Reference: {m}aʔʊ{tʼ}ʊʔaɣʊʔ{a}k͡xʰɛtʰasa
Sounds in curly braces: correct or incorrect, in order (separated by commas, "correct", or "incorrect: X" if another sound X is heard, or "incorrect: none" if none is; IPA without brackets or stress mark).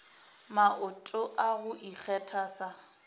correct, correct, incorrect: i